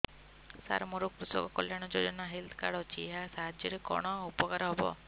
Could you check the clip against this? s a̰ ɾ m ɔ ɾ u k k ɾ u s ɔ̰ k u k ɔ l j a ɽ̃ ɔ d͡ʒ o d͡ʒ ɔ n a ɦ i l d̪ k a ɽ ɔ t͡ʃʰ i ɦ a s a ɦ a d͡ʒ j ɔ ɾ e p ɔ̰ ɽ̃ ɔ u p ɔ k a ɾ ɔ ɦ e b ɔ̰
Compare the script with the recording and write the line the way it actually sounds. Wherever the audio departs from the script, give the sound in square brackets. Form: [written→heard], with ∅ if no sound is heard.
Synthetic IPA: s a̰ ɾ m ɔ ɾ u k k ɾ u s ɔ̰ k [u→ɔ] k ɔ l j a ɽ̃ ɔ d͡ʒ o d͡ʒ ɔ n a ɦ i l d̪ k a ɽ ɔ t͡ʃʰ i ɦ a s a ɦ a d͡ʒ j ɔ ɾ e [p→k] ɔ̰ ɽ̃ ɔ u p ɔ k a ɾ ɔ ɦ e b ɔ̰